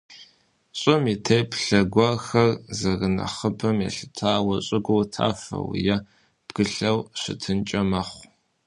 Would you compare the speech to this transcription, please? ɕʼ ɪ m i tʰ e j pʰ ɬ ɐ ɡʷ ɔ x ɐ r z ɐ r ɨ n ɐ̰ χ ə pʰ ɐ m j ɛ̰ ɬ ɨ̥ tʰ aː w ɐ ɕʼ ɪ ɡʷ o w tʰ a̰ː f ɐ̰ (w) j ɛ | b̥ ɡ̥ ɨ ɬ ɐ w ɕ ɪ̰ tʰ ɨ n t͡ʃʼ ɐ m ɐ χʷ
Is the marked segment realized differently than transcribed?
no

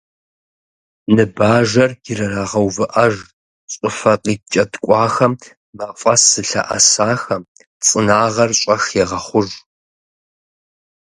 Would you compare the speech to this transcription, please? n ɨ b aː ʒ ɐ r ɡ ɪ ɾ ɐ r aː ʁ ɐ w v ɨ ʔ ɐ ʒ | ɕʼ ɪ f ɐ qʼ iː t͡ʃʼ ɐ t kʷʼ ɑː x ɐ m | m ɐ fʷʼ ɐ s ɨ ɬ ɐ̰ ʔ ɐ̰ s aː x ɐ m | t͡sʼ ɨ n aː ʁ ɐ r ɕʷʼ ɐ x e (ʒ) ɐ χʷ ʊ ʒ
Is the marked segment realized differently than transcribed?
yes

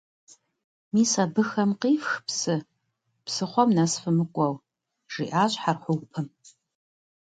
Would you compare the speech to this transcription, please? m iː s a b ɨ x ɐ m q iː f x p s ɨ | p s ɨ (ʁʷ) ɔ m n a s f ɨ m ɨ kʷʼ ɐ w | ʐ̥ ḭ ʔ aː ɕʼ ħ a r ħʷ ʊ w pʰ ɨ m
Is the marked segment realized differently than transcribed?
yes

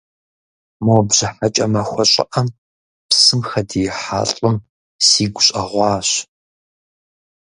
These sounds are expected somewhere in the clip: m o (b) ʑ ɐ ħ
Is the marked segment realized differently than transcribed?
no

